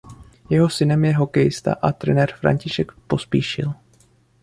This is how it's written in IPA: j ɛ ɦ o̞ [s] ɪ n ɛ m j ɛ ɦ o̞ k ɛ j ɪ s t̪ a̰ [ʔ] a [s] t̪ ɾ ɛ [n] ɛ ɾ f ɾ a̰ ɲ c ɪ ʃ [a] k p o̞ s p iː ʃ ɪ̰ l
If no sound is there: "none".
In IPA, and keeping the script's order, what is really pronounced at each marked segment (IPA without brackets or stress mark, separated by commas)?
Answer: s, ʔ, none, n, ɛ